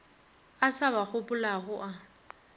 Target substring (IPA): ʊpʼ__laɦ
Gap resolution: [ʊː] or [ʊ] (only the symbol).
ʊ